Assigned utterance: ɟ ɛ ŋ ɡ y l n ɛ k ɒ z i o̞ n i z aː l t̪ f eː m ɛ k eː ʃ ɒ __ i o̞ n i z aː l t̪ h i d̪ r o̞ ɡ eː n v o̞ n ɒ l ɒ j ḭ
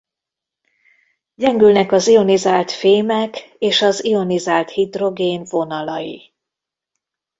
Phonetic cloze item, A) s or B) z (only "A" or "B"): B